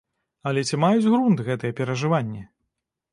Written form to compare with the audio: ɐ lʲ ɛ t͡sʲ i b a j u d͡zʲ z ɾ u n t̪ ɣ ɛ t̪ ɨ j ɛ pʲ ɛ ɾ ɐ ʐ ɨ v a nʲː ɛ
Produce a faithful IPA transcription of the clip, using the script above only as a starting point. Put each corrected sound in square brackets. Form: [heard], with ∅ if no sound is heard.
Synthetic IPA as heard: ɐ lʲ ɛ t͡sʲ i [m] a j u d͡zʲ [ɣ] ɾ u n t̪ ɣ ɛ t̪ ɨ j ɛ pʲ ɛ ɾ ɐ ʐ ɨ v a nʲː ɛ

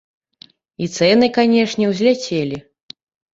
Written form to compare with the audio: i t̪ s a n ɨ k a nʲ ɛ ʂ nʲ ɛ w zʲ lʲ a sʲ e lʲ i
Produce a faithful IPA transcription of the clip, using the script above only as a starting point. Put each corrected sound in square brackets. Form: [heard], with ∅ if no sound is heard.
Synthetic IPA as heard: i t̪ s [ɛ] n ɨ k a nʲ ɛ ʂ nʲ ɛ w zʲ lʲ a [t͡sʲ] e lʲ i

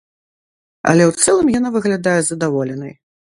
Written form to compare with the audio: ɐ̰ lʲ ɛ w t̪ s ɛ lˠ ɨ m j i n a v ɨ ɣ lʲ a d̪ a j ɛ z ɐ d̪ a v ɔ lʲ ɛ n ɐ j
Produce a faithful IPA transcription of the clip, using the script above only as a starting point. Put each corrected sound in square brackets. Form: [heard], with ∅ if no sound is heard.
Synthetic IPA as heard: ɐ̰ lʲ ɛ w t̪ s ɛ lˠ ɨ m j [a] n a v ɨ ɣ lʲ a d̪ a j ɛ z ɐ d̪ a v ɔ lʲ ɛ n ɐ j

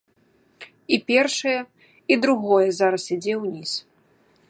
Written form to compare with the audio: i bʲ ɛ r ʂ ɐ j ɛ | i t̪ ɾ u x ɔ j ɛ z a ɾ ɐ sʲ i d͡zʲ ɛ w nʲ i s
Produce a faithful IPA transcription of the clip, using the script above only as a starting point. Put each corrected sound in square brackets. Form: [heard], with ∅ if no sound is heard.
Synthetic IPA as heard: i [pʲ] ɛ r ʂ ɐ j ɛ | i [d̪] ɾ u [ɣ] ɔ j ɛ z a ɾ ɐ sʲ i d͡zʲ ɛ w nʲ i s

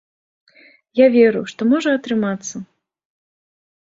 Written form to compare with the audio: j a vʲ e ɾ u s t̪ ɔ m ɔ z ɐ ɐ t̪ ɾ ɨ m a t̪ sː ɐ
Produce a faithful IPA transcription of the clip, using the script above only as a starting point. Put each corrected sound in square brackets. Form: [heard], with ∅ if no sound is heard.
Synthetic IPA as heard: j a vʲ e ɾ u [ʂ] t̪ ɔ m ɔ [ʐ] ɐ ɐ t̪ ɾ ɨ m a t̪ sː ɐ

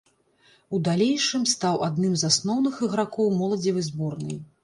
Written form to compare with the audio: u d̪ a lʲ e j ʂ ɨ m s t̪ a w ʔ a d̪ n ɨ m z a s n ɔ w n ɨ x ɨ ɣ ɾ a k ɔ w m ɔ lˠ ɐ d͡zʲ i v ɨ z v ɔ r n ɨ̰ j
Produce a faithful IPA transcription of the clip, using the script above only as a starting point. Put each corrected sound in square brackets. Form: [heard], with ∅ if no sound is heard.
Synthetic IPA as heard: u d̪ a lʲ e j ʂ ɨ m s t̪ a w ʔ a d̪ n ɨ m z a s n ɔ w n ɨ x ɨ ɣ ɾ a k ɔ w m ɔ lˠ ɐ d͡zʲ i v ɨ z [b] ɔ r n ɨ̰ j

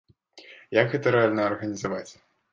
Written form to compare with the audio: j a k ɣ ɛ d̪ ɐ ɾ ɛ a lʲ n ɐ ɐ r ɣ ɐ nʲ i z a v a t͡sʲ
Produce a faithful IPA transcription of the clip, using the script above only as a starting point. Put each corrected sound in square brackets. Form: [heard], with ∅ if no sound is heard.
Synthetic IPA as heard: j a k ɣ ɛ [t̪] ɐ ɾ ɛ a lʲ n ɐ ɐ r ɣ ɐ nʲ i z a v a t͡sʲ

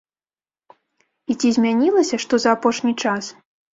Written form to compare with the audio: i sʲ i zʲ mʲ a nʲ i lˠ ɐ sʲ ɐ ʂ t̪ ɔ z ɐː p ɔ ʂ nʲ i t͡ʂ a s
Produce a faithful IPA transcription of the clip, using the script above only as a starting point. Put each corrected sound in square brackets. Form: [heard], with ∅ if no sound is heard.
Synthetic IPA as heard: i [t͡sʲ] i zʲ mʲ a nʲ i lˠ ɐ sʲ ɐ ʂ t̪ ɔ z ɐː p ɔ ʂ nʲ i t͡ʂ a s

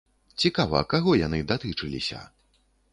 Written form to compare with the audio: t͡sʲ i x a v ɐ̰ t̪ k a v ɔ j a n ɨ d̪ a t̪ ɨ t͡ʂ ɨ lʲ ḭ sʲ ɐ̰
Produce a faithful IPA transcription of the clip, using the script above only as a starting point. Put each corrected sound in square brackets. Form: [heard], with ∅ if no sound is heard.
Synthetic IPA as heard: t͡sʲ i [k] a v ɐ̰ [∅] k a [ɣ] ɔ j a n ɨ d̪ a t̪ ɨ t͡ʂ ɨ lʲ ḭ sʲ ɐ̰

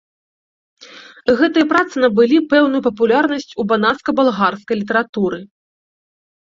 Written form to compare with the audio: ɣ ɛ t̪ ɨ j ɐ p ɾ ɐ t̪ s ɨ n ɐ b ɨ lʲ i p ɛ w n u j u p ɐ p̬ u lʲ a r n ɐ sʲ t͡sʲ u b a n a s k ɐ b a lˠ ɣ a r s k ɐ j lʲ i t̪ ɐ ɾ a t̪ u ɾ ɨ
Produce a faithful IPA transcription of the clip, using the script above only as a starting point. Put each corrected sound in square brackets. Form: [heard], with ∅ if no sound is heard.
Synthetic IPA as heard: ɣ ɛ t̪ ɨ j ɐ p ɾ [a] t̪ s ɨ n ɐ b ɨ lʲ i p ɛ w n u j u p ɐ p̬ u lʲ a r n ɐ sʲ t͡sʲ u b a n a s k ɐ b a lˠ ɣ a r s k ɐ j lʲ i t̪ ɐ ɾ a t̪ u ɾ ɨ

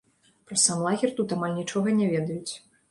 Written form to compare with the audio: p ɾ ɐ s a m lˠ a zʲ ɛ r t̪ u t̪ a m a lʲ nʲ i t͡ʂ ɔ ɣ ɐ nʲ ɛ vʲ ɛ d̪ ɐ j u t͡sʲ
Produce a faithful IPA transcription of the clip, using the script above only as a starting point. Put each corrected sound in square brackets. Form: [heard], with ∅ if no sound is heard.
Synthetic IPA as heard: p ɾ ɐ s a m lˠ a [ɣʲ] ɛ r t̪ u t̪ a m a lʲ nʲ i t͡ʂ ɔ ɣ ɐ nʲ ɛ vʲ ɛ d̪ ɐ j u t͡sʲ

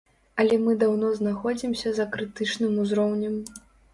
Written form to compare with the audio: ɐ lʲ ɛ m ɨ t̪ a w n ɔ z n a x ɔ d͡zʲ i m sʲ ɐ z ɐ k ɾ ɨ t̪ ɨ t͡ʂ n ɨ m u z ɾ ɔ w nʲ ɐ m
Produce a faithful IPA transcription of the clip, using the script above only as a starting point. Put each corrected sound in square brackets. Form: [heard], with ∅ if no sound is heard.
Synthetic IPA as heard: ɐ lʲ ɛ m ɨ [d̪] a w n ɔ z n a x ɔ d͡zʲ i m sʲ ɐ z ɐ k ɾ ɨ t̪ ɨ t͡ʂ n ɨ m u z ɾ ɔ w nʲ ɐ m

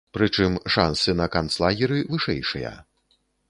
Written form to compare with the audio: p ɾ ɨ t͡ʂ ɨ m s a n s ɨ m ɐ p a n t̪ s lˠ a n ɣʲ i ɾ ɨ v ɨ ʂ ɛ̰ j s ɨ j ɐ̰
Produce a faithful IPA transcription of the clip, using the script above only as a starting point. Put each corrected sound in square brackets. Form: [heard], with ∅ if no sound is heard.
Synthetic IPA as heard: p ɾ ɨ t͡ʂ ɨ m [ʂ] a n s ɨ [n] ɐ [k] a n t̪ s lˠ a [∅] ɣʲ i ɾ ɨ v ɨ ʂ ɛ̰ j [ʂ] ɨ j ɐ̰

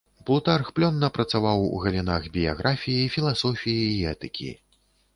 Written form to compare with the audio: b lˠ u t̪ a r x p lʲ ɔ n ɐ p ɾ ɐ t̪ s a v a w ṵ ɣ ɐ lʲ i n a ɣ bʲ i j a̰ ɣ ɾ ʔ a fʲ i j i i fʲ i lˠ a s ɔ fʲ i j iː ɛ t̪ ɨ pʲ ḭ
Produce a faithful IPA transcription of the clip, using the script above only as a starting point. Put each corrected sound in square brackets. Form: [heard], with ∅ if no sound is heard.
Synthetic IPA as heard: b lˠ u t̪ a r x p lʲ ɔ [nː] ɐ p ɾ ɐ t̪ s a v a w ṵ ɣ ɐ lʲ i n a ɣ bʲ i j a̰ ɣ ɾ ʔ a fʲ i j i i fʲ i lˠ a s ɔ fʲ i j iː ɛ t̪ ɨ [kʲ] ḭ

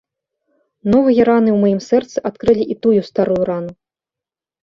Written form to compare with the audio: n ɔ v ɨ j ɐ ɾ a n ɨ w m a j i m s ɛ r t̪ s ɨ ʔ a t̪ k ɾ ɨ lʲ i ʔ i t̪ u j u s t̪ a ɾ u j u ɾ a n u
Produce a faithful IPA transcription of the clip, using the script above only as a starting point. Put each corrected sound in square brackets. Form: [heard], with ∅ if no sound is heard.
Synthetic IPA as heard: n ɔ v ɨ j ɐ ɾ a n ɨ w m a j i m s ɛ r t̪ s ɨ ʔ a t̪ k ɾ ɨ lʲ i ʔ i t̪ u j u s t̪ a ɾ u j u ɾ a n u

